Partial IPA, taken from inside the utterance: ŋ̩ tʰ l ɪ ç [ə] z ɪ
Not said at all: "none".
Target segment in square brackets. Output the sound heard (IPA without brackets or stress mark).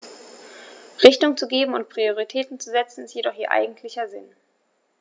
ɐ